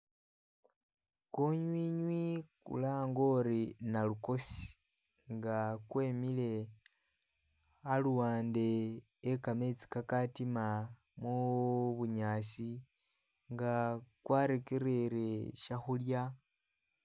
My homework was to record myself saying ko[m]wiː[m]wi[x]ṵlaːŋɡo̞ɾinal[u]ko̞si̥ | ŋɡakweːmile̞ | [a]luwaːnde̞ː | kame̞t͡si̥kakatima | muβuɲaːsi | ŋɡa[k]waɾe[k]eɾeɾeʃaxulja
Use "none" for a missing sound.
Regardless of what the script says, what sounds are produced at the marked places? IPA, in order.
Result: ɲ, ɲ, k, u, a, k, k

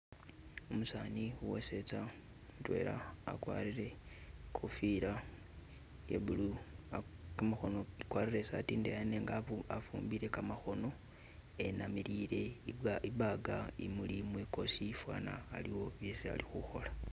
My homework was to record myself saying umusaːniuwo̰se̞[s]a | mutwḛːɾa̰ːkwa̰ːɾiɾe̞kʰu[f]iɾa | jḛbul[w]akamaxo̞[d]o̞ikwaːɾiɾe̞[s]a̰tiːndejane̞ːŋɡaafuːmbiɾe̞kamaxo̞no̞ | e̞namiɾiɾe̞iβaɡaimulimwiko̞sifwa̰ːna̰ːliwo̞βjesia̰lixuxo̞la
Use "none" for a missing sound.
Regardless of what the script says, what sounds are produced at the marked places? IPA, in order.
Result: t͡s, f, u, n, s

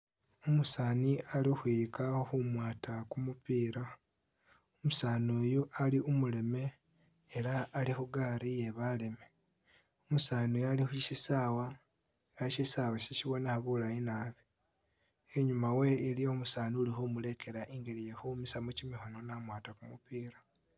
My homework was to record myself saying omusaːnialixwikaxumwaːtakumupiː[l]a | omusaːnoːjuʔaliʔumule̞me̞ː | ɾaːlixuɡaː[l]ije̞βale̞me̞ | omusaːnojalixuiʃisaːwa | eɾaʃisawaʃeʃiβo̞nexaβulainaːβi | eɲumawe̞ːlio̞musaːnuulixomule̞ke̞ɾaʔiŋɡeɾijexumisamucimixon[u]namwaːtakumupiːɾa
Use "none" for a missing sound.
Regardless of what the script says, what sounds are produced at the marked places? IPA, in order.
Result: ɾ, ɾ, o

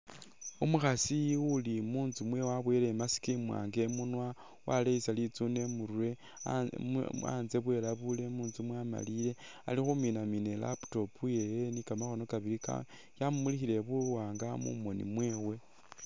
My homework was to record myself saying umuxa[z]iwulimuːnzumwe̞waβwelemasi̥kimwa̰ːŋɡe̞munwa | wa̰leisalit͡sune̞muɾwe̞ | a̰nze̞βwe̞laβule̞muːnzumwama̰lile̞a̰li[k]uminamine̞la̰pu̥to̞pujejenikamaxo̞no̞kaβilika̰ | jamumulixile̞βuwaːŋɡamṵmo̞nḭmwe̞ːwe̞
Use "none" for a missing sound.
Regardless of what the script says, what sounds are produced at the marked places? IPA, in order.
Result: s, x

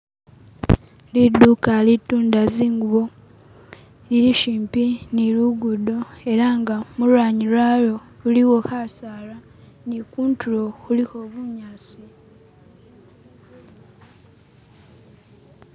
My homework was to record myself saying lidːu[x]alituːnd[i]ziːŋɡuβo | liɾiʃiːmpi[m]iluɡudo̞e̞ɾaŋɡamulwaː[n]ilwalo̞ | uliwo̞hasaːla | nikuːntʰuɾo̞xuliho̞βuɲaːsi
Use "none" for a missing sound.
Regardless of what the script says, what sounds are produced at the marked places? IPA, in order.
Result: k, a, n, ɲ

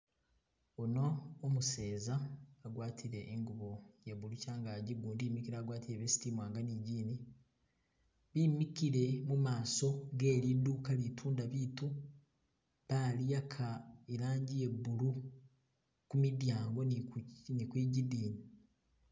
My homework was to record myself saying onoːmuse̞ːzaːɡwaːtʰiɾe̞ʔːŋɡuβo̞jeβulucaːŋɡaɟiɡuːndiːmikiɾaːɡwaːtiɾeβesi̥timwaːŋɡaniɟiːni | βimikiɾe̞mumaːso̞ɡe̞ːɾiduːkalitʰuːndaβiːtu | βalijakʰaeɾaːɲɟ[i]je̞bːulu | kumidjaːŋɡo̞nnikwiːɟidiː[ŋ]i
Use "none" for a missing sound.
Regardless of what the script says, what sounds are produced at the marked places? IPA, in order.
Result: i, n

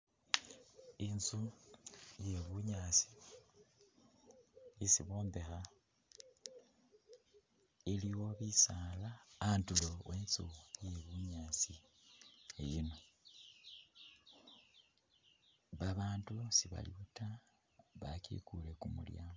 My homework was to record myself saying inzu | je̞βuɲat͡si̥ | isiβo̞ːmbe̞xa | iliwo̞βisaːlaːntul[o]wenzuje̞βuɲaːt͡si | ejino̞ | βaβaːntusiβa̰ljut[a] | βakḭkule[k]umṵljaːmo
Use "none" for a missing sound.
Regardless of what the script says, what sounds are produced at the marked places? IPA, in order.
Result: o, a, k

